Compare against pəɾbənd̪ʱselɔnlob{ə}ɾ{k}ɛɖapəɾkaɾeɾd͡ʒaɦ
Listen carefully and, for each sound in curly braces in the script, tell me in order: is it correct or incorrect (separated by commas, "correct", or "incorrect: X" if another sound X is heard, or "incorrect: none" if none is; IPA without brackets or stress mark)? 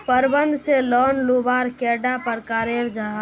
incorrect: a, correct